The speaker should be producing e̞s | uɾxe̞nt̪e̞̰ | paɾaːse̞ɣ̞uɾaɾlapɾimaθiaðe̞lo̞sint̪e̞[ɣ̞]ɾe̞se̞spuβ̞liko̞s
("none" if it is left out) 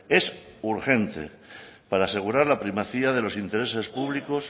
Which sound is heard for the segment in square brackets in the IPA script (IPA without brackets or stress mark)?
none